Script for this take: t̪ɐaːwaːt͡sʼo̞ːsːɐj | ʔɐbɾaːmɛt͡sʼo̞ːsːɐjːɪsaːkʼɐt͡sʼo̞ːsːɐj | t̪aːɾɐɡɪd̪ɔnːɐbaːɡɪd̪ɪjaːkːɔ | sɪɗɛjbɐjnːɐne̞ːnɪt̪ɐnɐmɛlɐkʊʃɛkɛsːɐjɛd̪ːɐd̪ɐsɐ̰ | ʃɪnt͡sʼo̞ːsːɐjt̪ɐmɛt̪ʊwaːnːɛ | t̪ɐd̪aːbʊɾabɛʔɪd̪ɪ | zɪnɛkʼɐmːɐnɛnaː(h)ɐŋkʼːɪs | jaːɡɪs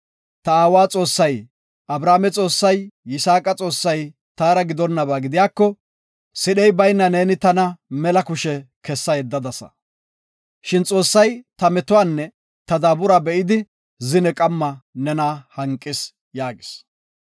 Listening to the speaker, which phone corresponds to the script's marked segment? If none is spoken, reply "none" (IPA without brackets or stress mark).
h